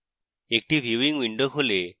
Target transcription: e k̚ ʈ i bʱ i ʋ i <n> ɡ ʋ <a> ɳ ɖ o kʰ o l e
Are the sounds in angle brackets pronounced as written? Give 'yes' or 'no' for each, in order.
no, no

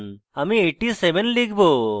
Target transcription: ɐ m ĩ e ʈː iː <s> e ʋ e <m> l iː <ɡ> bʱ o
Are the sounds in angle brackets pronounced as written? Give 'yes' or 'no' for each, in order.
yes, no, yes

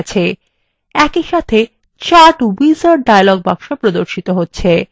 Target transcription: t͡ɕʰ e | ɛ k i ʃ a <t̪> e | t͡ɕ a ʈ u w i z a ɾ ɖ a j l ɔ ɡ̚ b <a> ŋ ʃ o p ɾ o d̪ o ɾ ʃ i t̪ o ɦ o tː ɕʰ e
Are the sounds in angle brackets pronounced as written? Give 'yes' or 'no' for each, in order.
no, yes

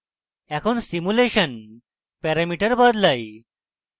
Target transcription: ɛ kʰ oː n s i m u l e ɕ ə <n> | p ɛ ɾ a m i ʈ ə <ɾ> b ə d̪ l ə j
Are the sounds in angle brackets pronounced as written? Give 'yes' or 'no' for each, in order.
yes, yes

